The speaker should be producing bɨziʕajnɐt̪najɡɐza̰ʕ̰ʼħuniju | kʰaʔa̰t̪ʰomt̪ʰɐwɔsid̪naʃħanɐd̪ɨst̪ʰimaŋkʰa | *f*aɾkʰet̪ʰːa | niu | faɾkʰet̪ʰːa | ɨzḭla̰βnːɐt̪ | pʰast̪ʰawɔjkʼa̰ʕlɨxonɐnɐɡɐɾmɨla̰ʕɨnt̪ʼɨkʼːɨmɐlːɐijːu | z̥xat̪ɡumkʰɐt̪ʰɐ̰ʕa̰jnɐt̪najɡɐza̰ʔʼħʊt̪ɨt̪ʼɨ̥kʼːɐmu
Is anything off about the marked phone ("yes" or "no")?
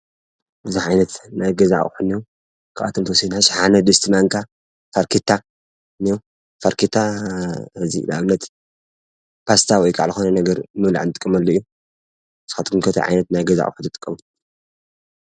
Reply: no